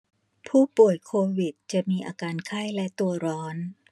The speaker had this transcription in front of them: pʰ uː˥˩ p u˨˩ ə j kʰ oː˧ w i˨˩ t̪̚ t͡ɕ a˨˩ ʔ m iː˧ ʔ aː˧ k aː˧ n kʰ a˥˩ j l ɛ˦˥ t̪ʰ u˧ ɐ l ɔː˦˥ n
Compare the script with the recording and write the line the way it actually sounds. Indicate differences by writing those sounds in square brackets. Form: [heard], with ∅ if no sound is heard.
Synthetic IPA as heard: pʰ uː˥˩ p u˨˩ ə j kʰ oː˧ w i˨˩ t̪̚ t͡ɕ a˨˩ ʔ m iː˧ ʔ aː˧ k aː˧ n kʰ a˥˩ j l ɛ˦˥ [t̪] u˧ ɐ [ɾ] ɔː˦˥ n